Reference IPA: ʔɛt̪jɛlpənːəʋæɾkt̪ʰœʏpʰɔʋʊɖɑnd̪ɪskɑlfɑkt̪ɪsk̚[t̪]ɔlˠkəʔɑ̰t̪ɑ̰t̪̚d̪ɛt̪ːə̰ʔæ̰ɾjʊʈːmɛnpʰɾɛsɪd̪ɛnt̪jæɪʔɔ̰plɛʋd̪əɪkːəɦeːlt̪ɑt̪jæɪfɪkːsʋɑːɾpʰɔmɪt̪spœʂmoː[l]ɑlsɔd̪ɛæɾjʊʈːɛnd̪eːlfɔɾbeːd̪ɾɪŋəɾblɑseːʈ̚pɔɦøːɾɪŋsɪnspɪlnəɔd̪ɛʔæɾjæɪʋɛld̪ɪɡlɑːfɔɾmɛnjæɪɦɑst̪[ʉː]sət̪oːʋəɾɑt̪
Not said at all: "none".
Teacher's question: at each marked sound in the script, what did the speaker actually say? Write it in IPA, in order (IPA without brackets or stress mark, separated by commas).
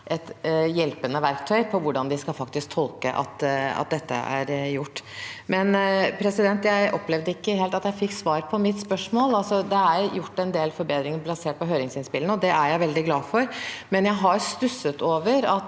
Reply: t̪ʰ, l, ʉ